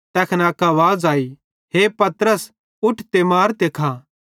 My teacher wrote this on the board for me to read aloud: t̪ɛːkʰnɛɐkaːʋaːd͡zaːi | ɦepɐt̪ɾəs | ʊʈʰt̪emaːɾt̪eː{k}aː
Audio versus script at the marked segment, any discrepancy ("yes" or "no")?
yes